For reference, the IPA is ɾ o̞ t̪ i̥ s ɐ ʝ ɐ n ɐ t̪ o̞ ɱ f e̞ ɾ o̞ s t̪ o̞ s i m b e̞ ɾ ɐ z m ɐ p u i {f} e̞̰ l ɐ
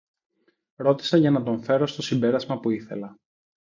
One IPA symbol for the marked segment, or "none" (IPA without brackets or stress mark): θ